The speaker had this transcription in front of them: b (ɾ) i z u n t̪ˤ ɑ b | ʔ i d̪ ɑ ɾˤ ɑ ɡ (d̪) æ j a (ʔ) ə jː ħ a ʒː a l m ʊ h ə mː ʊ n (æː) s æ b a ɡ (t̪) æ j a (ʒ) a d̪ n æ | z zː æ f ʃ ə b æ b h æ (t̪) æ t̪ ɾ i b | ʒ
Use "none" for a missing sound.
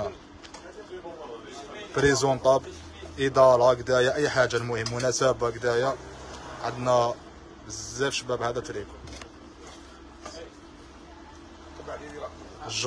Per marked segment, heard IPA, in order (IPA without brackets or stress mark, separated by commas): ɾ, d̪, ʔ, æ, d̪, ʕ, d̪